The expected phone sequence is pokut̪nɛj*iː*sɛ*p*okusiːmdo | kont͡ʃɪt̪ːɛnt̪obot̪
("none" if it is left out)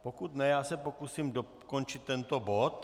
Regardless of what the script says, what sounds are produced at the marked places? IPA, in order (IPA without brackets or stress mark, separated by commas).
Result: aː, p